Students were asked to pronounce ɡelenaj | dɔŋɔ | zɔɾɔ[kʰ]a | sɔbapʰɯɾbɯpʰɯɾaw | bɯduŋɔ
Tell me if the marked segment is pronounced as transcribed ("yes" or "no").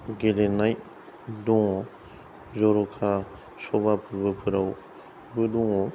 yes